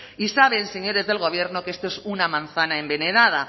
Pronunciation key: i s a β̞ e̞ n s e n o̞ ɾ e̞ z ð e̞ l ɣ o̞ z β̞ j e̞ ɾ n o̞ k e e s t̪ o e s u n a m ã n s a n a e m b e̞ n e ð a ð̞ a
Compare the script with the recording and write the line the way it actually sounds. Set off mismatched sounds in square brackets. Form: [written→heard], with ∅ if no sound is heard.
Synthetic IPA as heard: i s a β̞ e̞ n s e [n→ɲ] o̞ ɾ e̞ z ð e̞ l ɣ o̞ [z→∅] β̞ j e̞ ɾ n o̞ k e e s t̪ o e s u n a m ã n [s→θ] a n a e m b e̞ n e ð a ð̞ a

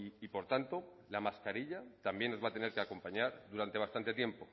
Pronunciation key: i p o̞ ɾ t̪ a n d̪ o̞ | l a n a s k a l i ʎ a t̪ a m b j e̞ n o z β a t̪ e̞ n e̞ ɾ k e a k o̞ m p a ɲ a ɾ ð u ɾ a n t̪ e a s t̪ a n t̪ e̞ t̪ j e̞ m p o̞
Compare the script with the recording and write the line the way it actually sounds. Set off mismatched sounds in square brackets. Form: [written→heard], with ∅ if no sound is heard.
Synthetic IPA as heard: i p o̞ ɾ t̪ a n [d̪→t̪] o̞ | l a [n→m] a s k a [l→ɾ] i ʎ a t̪ a m b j e̞ n o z β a t̪ e̞ n e̞ ɾ k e a k o̞ m p a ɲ a ɾ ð u ɾ a n t̪ e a s t̪ a n t̪ e̞ t̪ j e̞ m p o̞

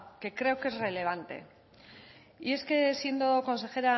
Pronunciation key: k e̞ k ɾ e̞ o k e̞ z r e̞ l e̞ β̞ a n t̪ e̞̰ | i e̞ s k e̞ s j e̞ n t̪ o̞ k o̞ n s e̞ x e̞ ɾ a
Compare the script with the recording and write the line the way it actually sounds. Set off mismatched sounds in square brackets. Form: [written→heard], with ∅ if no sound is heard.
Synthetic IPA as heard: k e̞ k ɾ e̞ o k e̞ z r e̞ l e̞ β̞ a n t̪ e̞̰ | i e̞ s k e̞ s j e̞ n [t̪→d̪] o̞ k o̞ n s e̞ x e̞ ɾ a

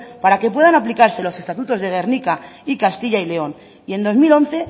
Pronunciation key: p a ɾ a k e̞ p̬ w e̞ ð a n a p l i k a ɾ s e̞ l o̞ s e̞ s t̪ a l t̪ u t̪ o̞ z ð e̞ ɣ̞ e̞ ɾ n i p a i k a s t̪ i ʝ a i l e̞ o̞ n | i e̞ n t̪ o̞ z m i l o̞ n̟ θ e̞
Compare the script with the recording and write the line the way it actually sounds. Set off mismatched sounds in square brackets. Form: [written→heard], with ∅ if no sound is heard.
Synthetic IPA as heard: p a ɾ a k e̞ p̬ w e̞ ð a n a p l i k a ɾ s e̞ l o̞ s e̞ s t̪ a [l→∅] t̪ u t̪ o̞ z ð e̞ ɣ̞ e̞ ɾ n i [p→k] a i k a s t̪ i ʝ a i l e̞ o̞ n | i e̞ n [t̪→d̪] o̞ z m i l o̞ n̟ θ e̞

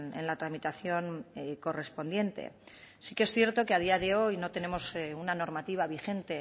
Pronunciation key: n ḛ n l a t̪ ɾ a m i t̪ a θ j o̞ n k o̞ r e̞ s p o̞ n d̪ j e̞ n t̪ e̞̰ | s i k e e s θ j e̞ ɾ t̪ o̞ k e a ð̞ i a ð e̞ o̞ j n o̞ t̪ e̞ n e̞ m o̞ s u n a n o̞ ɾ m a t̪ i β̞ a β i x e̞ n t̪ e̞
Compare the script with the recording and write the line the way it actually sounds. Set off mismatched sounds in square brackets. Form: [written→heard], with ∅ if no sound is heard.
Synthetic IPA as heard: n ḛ n l a t̪ ɾ a m i t̪ a θ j o̞ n k o̞ r e̞ s p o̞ n d̪ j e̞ n t̪ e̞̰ | s i k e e s θ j e̞ ɾ t̪ o̞ k e a ð̞ i a ð e̞ o̞ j n o̞ t̪ e̞ n e̞ m o̞ s u n a n o̞ ɾ m a t̪ i β̞ a β i x e̞ n t̪ e̞

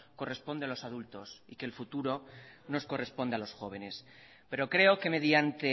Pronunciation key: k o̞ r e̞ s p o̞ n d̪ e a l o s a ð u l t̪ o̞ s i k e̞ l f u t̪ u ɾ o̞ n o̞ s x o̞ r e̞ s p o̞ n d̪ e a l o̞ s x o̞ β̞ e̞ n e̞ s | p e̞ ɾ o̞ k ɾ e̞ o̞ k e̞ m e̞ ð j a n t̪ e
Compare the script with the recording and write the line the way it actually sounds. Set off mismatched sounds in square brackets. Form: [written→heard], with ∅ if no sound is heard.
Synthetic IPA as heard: k o̞ r e̞ s p o̞ n d̪ e a l o s a ð u l t̪ o̞ s i k e̞ l f u t̪ u ɾ o̞ n o̞ s [x→k] o̞ r e̞ s p o̞ n d̪ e a l o̞ s x o̞ β̞ e̞ n e̞ s | p e̞ ɾ o̞ k ɾ e̞ o̞ k e̞ m e̞ ð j a n t̪ e

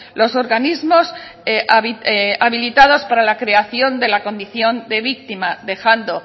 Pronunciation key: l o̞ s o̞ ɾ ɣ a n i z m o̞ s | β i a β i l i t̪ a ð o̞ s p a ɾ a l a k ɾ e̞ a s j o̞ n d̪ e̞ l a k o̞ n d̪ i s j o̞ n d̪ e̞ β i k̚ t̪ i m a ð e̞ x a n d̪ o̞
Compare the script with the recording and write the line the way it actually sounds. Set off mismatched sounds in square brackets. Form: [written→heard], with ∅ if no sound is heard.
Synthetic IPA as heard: l o̞ s o̞ ɾ ɣ a n i z m o̞ s | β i a β i l i t̪ a ð o̞ s p a ɾ a l a k ɾ e̞ a [s→θ] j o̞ n d̪ e̞ l a k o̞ n d̪ i [s→θ] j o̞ n d̪ e̞ β i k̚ t̪ i m a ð e̞ x a n d̪ o̞

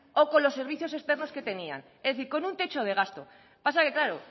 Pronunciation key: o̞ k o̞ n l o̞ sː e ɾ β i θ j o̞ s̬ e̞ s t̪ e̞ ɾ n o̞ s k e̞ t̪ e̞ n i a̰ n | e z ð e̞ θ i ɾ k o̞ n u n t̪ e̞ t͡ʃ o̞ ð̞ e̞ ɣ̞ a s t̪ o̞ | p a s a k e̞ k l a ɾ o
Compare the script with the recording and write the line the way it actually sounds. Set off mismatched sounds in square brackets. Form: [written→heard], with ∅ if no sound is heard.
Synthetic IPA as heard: o̞ k o̞ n l o̞ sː e ɾ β i θ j o̞ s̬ e̞ s t̪ e̞ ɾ n o̞ s k e̞ t̪ e̞ n i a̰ n | e z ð e̞ θ i ɾ k o̞ n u n t̪ e̞ t͡ʃ o̞ ð̞ e̞ ɣ̞ a s t̪ o̞ | p a s a k e̞ k l a ɾ o

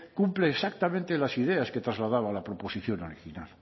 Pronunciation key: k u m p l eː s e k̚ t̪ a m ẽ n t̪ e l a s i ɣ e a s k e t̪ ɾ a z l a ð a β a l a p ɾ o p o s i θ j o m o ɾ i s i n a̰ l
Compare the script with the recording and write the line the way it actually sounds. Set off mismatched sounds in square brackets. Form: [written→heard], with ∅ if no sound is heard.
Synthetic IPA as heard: k u m p l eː s [e→a] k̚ t̪ a m ẽ n t̪ e l a s i [ɣ→ð] e a s k e t̪ ɾ a z l a ð a β a l a p ɾ o p o s i θ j o [m→n] o ɾ i [s→x] i n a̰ l

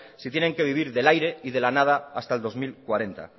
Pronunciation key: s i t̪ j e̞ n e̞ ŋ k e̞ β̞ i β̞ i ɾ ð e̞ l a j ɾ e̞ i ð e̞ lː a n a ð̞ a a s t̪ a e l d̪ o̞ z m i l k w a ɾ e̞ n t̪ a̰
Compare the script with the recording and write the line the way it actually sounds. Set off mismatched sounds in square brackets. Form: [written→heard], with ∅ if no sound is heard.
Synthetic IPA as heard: s i t̪ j e̞ n e̞ ŋ k e̞ β̞ i β̞ i ɾ ð e̞ l a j ɾ e̞ i ð e̞ [lː→l] a n a ð̞ a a s t̪ a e l d̪ o̞ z m i l k w a ɾ e̞ n t̪ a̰

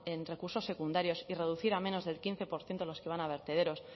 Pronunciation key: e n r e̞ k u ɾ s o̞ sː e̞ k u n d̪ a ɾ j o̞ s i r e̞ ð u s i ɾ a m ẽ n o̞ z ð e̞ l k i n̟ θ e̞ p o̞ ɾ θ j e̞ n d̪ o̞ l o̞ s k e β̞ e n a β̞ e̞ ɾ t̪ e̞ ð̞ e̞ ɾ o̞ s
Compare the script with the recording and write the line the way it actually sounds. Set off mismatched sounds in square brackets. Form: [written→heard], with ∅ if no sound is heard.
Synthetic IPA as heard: e n r e̞ k u ɾ s o̞ sː e̞ k u n d̪ a ɾ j o̞ s i r e̞ ð u [s→θ] i ɾ a m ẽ n o̞ z ð e̞ l k i n̟ θ e̞ p o̞ ɾ θ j e̞ n [d̪→t̪] o̞ l o̞ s k e β̞ [e→a] n a β̞ e̞ ɾ t̪ e̞ ð̞ e̞ ɾ o̞ s

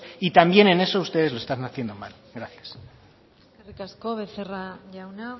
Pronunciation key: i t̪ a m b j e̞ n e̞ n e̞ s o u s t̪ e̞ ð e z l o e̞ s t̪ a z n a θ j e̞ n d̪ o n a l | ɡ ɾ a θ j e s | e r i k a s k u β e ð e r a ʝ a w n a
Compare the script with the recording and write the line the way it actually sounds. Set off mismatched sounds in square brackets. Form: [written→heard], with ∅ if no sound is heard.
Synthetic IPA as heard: i t̪ a m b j e̞ n e̞ n e̞ s o u s t̪ e̞ ð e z l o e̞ s t̪ a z n a θ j e̞ n d̪ o [n→m] a l | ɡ ɾ a θ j [e→a] s | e r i k a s k [u→o] β e [ð→θ] e r a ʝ a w n a

